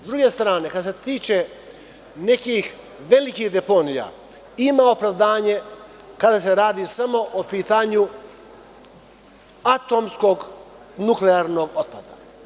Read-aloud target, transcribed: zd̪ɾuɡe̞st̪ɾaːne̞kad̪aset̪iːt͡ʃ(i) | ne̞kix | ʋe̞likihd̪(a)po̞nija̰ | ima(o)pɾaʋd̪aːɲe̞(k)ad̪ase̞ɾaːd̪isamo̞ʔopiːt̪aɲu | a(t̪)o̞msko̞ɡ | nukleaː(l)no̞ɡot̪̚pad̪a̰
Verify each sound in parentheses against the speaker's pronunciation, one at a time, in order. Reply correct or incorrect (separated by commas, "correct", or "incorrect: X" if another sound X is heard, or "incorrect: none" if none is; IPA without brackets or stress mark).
incorrect: e, incorrect: e, correct, correct, correct, incorrect: ɾ